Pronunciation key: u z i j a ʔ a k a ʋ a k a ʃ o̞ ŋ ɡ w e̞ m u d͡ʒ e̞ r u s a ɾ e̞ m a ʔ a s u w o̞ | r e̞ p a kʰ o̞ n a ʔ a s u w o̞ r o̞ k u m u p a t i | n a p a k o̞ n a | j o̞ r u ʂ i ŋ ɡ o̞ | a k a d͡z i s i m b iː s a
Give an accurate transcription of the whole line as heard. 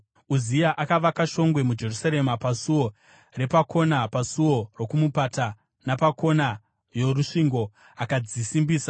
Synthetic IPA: u z i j a ʔ a k a ʋ a k a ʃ o̞ ŋ ɡ w e̞ m u d͡ʒ e̞ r u s a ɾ e̞ m a p a s u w o̞ | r e̞ p a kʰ o̞ n a p a s u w o̞ r o̞ k u m u p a t a | n a p a k o̞ n a | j o̞ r u ʂ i ŋ ɡ o̞ | a k a d͡z i s i m b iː s a